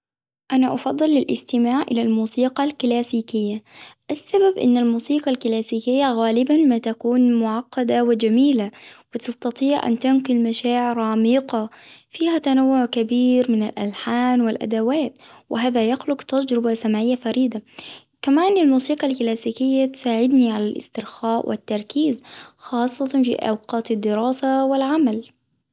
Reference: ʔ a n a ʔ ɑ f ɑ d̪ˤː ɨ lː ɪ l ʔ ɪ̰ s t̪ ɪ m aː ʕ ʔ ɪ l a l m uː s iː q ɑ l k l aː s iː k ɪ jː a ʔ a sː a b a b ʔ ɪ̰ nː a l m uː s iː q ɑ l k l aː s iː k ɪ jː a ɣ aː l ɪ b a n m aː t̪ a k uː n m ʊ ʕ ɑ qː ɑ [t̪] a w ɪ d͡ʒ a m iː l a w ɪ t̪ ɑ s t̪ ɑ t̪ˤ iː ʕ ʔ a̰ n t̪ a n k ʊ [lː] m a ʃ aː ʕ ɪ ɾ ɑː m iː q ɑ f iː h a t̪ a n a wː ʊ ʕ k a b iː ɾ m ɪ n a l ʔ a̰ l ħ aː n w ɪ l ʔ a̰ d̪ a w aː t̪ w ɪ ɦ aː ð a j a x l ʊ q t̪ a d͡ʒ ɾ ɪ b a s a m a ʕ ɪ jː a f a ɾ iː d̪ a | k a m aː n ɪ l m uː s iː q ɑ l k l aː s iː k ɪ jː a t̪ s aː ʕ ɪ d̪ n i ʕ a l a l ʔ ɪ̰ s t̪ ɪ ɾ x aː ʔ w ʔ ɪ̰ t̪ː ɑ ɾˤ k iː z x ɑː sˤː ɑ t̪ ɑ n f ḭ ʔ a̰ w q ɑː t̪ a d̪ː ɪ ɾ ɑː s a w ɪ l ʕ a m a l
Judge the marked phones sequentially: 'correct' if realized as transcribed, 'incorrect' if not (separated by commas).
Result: incorrect, incorrect